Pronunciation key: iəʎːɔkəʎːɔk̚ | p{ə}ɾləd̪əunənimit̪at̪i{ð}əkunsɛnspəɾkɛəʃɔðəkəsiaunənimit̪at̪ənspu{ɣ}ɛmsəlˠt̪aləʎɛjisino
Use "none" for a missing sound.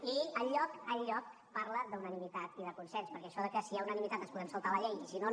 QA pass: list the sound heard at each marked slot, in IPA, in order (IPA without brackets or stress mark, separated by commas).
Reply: a, ð, ð